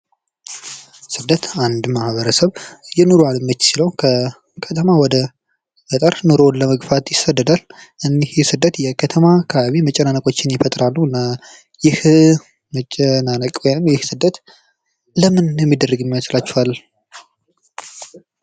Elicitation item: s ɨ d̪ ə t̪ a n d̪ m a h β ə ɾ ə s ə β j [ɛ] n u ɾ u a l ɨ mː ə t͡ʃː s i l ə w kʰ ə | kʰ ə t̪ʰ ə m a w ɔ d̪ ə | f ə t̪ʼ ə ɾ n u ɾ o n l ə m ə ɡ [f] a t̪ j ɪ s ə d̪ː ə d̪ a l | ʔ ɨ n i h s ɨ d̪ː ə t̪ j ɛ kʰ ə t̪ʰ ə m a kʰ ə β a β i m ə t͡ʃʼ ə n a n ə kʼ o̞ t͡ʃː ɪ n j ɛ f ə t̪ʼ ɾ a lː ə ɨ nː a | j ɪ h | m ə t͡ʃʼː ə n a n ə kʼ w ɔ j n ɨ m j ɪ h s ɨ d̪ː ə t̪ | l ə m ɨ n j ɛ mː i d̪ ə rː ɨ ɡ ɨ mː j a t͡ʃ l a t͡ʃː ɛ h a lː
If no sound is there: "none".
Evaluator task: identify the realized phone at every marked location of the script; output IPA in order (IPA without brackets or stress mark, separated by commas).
ɛ, f